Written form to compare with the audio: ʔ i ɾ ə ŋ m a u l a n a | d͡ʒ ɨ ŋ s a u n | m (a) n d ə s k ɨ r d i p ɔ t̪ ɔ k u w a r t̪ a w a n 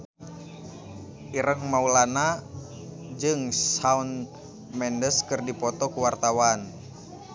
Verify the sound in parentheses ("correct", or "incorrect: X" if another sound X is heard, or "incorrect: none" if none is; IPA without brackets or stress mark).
incorrect: ɛ